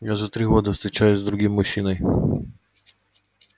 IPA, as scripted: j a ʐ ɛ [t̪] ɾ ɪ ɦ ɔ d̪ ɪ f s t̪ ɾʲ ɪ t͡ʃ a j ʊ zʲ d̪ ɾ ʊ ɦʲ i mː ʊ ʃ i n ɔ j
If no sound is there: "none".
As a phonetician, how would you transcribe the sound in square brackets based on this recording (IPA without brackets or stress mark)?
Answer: t̪